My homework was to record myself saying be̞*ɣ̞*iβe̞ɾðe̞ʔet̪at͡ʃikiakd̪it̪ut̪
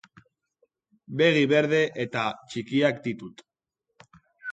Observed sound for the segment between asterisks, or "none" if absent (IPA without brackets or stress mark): ɣ̞